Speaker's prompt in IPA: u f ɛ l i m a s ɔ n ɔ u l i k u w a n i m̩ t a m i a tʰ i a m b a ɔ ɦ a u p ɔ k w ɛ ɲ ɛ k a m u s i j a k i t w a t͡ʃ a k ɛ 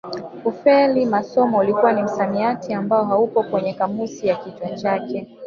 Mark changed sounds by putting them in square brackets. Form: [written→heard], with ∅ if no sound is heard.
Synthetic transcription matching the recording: u f ɛ l i m a s ɔ [n→m] ɔ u l i k u w a n i m̩ [t→s] a m i a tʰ i a m b a ɔ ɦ a u p ɔ k w ɛ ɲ ɛ k a m u s i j a k i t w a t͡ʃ a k ɛ